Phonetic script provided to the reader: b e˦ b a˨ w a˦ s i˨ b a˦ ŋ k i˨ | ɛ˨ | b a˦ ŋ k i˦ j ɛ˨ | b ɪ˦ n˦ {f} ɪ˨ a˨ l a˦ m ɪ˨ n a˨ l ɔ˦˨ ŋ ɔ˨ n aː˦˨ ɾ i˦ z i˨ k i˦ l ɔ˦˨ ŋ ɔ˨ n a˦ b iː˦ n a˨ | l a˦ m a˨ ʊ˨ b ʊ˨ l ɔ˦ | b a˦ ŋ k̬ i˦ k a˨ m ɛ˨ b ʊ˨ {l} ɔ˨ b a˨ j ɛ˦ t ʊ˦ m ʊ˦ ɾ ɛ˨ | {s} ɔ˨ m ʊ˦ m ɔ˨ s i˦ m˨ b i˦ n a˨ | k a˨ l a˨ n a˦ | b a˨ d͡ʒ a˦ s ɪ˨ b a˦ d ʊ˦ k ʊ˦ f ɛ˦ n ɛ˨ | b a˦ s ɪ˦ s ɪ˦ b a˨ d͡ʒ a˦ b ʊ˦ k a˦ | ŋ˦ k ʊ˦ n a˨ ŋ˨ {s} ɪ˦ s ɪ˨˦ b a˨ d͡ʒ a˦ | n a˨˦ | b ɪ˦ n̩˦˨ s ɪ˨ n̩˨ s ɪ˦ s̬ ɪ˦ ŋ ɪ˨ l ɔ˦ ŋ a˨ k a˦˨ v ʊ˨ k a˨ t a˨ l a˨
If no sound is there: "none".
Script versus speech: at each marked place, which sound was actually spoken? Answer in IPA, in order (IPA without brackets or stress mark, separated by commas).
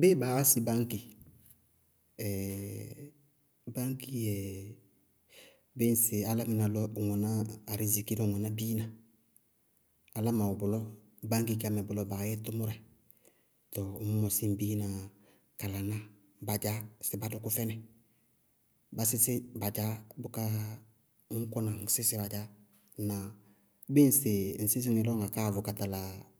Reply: s, l, t, s